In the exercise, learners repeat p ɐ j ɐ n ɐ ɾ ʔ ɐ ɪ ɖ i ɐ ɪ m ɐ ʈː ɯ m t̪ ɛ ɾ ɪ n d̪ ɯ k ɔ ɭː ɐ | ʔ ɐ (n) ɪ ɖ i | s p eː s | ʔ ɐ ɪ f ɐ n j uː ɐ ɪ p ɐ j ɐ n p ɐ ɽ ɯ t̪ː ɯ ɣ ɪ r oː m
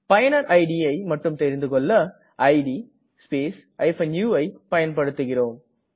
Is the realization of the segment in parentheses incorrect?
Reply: yes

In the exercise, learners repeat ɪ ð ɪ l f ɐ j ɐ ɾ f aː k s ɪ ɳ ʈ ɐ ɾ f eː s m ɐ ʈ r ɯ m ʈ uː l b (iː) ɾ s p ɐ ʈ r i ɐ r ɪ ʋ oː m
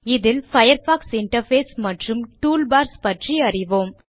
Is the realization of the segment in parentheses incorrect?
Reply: yes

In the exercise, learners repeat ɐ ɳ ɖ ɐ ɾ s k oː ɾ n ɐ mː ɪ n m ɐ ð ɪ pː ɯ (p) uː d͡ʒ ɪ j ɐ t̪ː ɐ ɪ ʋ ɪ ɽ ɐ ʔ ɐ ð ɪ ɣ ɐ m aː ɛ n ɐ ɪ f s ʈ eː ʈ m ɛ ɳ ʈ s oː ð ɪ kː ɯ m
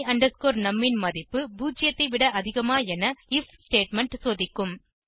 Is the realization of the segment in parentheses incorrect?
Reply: yes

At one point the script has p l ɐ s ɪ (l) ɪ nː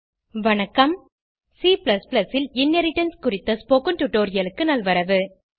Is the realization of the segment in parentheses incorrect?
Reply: no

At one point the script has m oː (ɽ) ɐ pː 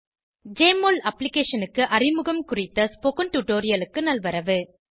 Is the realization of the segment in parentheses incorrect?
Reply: yes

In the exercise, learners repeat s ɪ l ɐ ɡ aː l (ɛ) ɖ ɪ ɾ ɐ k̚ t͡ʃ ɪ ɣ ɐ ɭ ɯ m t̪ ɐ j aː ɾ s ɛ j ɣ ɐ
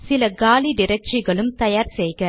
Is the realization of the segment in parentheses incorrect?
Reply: yes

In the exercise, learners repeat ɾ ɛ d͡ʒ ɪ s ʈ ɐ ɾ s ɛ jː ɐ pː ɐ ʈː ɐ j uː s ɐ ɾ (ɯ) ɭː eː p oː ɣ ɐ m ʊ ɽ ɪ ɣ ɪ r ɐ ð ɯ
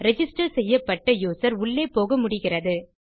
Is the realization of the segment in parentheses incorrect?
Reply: yes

